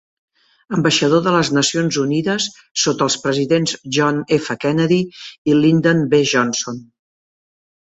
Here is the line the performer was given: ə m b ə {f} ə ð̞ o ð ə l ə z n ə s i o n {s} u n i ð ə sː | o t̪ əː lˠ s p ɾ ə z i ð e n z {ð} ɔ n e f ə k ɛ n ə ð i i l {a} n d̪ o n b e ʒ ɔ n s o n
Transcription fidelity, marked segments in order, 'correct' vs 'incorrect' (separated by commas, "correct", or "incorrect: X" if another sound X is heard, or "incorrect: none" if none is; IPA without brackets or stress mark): incorrect: ʃ, incorrect: z, incorrect: ʒ, incorrect: i